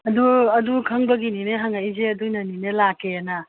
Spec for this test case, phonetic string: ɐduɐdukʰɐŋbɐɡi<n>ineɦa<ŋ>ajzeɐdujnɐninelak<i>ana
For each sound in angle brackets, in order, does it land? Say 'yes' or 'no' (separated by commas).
yes, yes, no